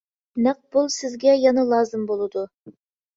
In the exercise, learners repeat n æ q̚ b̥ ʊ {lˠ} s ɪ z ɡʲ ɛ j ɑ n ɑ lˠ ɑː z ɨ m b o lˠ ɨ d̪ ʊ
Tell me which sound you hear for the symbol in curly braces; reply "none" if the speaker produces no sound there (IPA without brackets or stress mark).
lˠ